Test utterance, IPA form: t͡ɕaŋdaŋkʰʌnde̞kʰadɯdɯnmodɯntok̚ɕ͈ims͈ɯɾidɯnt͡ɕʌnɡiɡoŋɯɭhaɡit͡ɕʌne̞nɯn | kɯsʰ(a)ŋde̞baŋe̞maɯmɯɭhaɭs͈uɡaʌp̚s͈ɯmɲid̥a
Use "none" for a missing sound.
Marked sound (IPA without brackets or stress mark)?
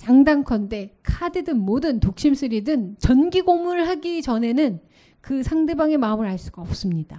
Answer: a